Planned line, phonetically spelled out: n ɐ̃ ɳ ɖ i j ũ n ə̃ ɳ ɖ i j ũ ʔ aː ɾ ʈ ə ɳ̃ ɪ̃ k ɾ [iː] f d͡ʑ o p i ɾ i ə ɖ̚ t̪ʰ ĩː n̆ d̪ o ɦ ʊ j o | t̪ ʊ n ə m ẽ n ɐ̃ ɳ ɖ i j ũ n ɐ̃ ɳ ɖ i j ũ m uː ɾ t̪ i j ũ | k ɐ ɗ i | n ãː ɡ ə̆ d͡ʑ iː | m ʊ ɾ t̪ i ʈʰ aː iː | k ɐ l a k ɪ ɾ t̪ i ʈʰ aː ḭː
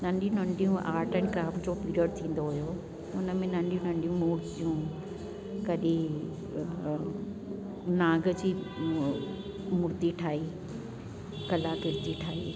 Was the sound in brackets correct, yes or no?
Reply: no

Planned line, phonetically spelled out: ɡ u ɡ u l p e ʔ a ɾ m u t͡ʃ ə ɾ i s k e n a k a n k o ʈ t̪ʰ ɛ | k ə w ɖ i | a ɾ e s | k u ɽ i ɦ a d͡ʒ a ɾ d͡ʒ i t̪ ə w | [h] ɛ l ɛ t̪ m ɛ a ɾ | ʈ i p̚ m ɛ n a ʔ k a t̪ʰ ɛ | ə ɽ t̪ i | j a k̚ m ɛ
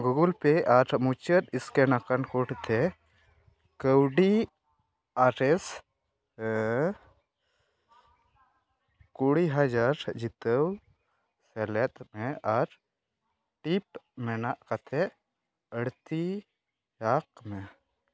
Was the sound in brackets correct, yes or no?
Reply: no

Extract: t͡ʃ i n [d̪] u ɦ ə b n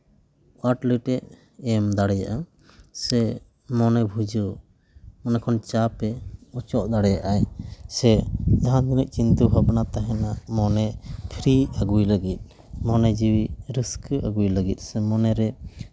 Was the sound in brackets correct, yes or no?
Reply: no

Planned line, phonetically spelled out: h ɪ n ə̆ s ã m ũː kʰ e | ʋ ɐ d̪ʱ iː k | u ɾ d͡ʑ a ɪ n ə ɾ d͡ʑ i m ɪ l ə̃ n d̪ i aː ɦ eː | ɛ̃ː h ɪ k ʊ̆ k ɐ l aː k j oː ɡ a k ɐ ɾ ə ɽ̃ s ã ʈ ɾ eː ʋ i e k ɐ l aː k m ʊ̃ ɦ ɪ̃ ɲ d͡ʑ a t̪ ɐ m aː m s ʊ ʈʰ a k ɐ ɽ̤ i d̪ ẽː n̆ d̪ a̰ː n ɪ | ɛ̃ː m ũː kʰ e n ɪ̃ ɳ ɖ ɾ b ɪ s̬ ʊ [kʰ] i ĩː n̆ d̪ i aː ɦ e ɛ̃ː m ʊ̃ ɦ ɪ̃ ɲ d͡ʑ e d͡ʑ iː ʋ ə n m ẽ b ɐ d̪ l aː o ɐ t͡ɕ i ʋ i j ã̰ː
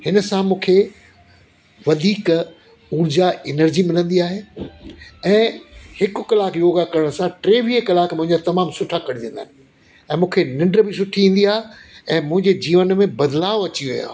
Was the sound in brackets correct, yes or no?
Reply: no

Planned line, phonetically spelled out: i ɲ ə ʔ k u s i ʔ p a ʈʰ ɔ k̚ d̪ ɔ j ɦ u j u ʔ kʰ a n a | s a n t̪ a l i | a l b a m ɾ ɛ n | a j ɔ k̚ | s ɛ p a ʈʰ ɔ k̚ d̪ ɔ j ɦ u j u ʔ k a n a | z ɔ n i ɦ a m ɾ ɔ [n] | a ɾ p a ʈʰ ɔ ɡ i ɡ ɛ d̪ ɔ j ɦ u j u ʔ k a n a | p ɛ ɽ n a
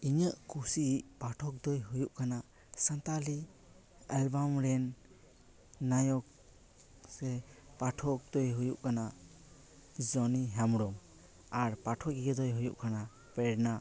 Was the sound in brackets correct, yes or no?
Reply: no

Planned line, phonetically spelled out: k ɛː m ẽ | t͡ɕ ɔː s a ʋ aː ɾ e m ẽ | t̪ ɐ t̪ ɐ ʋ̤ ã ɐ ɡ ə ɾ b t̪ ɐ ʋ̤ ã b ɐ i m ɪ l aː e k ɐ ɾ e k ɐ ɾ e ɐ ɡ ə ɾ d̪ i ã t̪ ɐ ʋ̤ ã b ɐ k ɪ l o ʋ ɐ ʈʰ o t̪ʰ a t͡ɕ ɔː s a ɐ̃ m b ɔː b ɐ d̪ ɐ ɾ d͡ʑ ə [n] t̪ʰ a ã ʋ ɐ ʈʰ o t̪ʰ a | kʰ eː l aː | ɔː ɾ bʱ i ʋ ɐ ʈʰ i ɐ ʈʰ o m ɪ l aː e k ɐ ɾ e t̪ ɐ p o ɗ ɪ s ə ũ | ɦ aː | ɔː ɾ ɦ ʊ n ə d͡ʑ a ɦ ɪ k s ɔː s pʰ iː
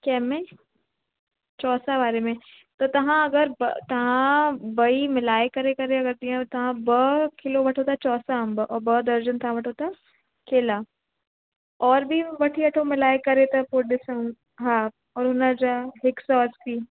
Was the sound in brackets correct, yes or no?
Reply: yes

